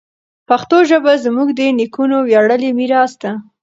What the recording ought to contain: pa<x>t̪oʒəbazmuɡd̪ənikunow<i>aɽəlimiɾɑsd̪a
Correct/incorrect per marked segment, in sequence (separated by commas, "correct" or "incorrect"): correct, incorrect